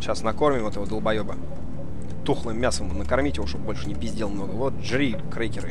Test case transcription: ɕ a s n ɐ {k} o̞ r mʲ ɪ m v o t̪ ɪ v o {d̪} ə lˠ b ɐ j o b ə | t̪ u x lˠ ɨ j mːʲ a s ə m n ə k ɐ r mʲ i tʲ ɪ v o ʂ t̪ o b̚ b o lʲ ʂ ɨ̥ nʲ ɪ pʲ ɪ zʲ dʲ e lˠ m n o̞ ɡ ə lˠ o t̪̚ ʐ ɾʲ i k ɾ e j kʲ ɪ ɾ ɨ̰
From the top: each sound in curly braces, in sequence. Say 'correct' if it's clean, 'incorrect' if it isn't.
correct, correct

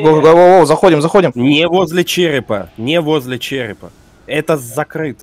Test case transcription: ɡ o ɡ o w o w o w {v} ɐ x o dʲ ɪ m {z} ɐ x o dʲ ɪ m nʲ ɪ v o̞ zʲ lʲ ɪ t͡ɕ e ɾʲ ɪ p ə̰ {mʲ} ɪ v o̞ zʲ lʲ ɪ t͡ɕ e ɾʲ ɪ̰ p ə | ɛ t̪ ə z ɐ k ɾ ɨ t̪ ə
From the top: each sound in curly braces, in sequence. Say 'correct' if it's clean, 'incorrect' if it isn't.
incorrect: z, correct, incorrect: nʲ

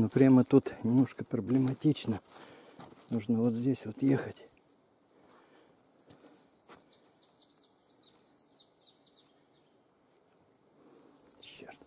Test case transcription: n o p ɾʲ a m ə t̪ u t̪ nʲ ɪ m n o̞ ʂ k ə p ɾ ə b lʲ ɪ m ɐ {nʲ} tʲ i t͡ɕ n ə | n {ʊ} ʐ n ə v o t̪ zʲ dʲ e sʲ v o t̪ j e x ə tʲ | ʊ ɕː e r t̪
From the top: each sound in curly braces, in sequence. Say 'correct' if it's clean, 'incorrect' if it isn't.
incorrect: none, incorrect: u

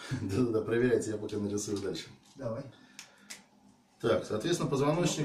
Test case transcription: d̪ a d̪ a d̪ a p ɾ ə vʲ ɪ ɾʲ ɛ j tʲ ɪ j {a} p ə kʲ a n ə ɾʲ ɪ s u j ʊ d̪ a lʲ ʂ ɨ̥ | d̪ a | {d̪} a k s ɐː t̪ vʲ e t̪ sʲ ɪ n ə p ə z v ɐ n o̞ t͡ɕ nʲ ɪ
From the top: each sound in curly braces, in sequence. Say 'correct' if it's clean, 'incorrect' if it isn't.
correct, incorrect: t̪

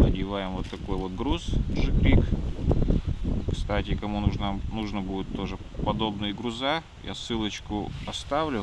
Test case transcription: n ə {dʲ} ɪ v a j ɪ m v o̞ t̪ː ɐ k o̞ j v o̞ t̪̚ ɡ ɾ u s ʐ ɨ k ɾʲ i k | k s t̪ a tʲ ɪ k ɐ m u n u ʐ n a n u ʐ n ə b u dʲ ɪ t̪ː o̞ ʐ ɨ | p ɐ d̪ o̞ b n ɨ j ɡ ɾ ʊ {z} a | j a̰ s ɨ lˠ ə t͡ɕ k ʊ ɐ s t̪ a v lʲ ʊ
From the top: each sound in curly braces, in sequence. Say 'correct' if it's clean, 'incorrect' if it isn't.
correct, correct

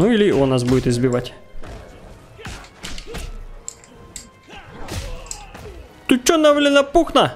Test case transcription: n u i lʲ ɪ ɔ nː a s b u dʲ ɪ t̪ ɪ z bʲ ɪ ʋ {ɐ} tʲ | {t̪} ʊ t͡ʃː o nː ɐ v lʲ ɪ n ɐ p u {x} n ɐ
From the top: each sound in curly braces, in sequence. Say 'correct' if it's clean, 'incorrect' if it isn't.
incorrect: a, correct, correct

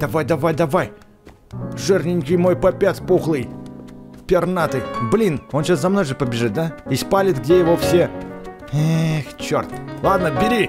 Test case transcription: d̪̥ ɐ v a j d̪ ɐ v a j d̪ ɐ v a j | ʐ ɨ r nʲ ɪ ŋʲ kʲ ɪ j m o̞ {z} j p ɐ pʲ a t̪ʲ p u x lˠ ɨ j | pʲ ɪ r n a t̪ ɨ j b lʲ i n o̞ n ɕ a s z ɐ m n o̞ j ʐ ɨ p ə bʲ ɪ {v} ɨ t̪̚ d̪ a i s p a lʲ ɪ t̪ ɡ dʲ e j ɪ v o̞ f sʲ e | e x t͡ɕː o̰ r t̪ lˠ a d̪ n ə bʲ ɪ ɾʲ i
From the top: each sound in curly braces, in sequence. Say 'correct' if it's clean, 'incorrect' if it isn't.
incorrect: none, incorrect: ʐ

